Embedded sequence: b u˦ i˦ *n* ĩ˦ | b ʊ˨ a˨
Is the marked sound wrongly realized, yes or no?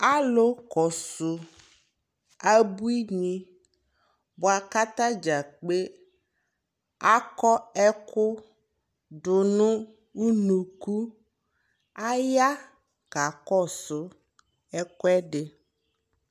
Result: yes